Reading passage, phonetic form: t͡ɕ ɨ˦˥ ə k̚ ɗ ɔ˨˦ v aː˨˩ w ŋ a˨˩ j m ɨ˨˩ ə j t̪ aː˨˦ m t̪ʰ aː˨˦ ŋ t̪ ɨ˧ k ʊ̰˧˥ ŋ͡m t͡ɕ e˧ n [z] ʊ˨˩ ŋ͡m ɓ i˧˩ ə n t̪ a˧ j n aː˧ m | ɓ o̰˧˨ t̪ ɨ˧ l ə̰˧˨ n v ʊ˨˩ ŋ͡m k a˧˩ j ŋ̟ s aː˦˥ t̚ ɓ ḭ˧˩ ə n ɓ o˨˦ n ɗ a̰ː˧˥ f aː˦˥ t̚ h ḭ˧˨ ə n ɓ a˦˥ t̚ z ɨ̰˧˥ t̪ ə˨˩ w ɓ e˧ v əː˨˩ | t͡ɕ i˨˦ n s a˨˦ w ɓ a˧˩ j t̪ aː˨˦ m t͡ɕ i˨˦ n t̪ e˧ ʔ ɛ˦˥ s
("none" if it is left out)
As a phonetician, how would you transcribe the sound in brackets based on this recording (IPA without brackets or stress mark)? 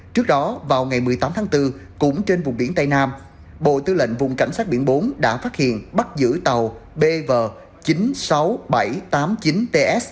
v